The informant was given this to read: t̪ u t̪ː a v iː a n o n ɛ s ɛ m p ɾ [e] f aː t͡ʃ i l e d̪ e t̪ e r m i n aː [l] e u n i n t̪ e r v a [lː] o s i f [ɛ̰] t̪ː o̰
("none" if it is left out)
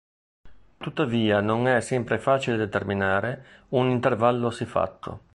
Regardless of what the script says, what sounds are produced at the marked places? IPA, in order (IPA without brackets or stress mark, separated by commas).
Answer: e, ɾ, lː, a̰